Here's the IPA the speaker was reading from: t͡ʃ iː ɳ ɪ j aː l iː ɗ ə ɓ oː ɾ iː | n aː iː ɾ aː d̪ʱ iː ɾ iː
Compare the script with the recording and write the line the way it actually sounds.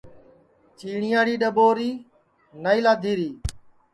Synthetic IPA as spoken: t͡ʃ iː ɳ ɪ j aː ɽ iː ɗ ə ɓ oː ɾ iː | n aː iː l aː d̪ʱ iː ɾ iː